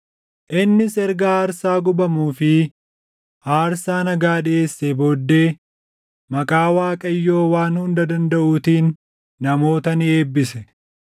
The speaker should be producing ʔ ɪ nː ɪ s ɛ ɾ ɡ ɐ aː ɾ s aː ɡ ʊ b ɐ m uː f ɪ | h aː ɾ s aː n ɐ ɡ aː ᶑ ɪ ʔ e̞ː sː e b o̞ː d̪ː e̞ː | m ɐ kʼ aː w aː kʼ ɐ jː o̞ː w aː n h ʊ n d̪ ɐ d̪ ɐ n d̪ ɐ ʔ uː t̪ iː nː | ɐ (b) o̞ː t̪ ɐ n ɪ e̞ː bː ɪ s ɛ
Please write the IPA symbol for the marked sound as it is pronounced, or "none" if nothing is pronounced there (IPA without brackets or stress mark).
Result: m